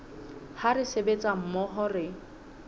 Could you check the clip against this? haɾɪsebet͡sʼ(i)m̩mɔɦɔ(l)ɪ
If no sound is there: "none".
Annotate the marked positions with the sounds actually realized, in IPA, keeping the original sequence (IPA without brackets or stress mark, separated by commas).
a, r